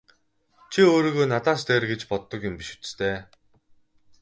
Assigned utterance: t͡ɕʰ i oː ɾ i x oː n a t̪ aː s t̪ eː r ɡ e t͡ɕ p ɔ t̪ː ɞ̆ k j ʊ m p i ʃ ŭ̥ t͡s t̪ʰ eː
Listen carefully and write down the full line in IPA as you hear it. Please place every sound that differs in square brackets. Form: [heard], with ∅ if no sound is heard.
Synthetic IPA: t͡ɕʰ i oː ɾ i [ɣ] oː n a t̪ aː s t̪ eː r ɡ e t͡ɕ p ɔ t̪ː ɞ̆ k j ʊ m p i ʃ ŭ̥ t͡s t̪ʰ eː